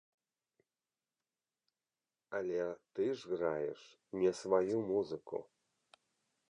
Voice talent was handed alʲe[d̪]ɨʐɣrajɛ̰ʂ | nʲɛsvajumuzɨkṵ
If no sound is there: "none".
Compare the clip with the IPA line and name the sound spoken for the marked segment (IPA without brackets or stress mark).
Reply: t̪